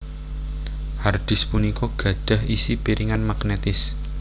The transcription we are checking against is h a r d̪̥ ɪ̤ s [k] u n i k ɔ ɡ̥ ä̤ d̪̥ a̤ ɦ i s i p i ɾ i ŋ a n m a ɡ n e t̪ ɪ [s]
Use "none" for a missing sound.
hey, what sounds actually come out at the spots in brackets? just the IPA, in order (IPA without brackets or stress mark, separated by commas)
p, s